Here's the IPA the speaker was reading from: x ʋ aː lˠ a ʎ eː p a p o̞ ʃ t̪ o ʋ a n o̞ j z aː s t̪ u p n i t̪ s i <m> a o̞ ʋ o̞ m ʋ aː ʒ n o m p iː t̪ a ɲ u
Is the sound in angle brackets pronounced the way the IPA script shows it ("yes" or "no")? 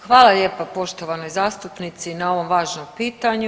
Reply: no